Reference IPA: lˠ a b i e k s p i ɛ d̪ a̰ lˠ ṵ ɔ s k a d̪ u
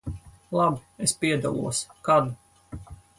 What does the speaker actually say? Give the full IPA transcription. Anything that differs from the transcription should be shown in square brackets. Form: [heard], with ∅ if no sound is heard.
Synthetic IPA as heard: lˠ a b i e [∅] s p i ɛ d̪ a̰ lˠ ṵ ɔ s k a d̪ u